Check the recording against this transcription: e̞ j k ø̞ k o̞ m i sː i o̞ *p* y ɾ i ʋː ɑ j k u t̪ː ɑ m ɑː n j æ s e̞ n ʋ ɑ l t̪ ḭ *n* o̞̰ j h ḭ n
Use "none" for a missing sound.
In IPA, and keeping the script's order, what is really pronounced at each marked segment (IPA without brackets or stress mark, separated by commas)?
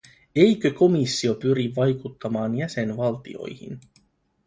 p, none